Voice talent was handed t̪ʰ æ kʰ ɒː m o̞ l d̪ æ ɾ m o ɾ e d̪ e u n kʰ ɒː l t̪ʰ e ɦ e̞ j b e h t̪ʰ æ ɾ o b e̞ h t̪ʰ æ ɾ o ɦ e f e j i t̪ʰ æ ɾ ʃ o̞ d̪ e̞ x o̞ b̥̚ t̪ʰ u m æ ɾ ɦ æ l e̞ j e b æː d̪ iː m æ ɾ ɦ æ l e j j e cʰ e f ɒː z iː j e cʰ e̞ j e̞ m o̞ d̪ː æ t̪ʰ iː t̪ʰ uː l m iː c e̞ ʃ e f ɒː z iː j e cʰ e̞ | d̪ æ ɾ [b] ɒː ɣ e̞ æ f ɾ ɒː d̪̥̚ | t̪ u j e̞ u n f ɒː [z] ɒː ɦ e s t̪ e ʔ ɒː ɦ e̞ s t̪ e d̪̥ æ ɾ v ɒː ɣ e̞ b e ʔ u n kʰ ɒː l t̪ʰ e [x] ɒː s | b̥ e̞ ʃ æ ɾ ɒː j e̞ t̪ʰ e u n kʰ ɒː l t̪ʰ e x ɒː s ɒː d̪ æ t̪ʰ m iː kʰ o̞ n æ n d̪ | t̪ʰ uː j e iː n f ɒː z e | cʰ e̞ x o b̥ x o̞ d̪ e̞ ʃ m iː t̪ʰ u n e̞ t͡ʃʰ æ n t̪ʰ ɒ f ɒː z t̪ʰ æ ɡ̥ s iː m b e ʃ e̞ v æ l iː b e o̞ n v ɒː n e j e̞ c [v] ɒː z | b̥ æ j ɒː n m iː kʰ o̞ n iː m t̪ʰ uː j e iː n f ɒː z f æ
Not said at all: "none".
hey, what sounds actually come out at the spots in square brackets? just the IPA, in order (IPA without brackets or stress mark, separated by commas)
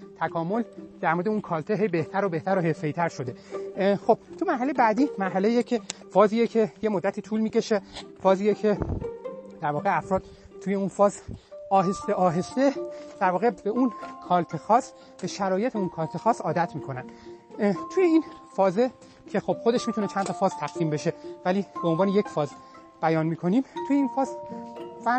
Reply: v, z, x, f